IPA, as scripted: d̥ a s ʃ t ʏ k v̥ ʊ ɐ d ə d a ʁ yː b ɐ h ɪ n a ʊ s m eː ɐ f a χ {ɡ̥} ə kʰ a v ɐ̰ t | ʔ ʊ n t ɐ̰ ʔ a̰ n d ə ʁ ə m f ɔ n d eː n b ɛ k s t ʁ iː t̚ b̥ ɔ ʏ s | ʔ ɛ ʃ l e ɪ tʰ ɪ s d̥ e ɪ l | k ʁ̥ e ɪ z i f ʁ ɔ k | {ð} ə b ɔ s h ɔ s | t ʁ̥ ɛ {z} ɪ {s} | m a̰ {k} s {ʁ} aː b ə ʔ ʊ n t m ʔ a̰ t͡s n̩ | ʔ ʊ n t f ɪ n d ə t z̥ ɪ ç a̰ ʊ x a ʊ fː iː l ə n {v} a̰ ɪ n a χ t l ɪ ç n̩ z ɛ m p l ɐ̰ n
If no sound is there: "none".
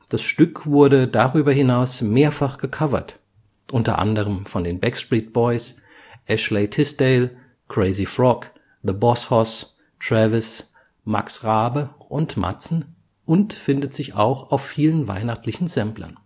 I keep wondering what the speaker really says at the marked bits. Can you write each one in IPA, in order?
ɡ̥, ð, v, s, k, ʁ, v

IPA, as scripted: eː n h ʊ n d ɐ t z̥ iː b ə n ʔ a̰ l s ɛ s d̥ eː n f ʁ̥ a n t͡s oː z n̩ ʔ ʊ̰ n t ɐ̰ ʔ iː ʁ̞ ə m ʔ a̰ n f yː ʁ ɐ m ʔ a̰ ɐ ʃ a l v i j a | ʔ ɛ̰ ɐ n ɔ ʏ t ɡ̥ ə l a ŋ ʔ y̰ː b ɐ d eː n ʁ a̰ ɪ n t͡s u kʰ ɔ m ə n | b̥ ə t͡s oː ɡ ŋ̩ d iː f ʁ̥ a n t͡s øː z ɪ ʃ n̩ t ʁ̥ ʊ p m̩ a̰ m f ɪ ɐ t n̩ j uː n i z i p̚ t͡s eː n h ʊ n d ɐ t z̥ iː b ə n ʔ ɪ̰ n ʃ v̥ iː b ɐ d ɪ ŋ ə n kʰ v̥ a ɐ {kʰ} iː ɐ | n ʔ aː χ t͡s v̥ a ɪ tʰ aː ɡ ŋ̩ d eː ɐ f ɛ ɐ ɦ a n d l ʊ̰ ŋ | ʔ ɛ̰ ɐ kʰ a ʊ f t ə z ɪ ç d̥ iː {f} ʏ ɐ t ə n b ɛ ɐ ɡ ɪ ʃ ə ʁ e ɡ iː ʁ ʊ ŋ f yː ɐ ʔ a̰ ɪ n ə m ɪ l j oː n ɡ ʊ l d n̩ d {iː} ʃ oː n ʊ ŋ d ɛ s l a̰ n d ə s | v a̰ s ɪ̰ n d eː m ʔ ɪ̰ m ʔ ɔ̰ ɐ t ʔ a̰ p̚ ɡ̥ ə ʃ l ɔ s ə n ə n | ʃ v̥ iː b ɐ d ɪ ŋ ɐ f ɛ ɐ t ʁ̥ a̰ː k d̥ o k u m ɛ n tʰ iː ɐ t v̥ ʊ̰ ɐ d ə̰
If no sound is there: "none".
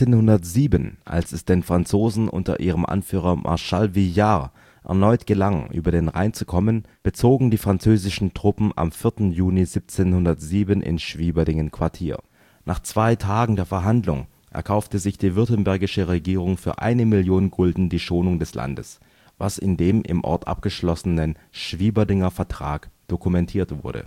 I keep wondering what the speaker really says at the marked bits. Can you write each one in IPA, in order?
tʰ, v, iː

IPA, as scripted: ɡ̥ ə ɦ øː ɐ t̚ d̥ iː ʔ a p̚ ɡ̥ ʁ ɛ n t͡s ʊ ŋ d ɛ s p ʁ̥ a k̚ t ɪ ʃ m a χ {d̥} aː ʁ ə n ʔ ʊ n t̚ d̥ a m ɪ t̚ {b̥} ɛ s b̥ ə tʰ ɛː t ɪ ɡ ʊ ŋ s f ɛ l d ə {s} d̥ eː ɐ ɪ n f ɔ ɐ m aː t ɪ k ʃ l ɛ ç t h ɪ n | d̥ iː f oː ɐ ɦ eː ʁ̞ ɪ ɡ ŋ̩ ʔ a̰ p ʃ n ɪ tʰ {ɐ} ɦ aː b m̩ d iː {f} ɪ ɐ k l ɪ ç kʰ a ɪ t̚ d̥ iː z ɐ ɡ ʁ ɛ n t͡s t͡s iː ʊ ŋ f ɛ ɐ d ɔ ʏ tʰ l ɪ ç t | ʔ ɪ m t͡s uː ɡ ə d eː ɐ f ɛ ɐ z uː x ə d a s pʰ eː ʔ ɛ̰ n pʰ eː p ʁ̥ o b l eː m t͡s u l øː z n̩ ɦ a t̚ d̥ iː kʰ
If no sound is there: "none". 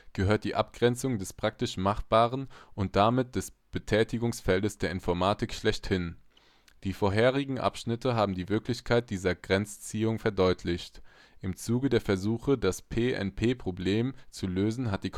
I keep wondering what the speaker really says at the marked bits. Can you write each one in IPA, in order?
b̥, d̥, s, ə, v

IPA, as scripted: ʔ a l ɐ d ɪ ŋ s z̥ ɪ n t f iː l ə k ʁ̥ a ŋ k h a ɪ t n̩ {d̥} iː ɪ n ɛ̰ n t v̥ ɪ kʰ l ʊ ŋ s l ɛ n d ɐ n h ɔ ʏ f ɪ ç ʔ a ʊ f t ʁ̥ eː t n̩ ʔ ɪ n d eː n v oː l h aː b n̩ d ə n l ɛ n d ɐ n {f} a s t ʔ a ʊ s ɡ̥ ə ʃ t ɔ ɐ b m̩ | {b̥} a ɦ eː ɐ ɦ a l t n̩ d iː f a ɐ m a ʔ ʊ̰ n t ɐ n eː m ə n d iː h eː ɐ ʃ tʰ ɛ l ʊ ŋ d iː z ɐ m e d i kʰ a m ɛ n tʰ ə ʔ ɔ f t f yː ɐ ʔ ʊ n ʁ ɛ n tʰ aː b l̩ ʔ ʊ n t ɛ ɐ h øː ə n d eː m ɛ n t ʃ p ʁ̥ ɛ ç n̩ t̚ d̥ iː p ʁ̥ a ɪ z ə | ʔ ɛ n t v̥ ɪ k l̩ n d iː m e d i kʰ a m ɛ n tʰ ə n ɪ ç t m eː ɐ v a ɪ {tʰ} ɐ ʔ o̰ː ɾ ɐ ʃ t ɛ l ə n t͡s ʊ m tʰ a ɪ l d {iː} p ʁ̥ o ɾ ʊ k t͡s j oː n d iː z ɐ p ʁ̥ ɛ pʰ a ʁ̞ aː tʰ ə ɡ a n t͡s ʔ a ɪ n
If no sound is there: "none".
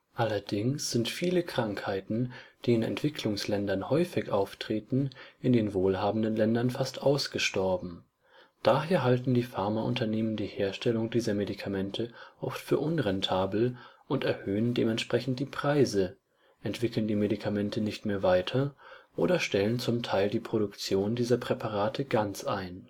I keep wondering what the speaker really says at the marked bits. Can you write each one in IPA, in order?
d̥, f, d̥, tʰ, iː

